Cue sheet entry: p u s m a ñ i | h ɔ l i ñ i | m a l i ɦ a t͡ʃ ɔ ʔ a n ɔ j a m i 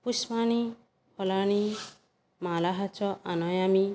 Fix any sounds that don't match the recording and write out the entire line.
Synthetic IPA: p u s m a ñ i | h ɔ l a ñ i | m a l a ɦ a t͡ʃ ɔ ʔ a n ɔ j a m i